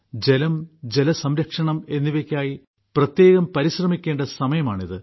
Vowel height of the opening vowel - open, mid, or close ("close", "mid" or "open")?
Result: mid